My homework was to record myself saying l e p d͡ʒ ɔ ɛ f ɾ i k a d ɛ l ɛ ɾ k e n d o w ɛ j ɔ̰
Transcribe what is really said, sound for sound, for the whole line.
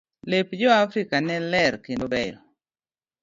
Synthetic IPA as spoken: l e p d͡ʒ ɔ a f ɾ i k a n ɛ l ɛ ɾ k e n d o b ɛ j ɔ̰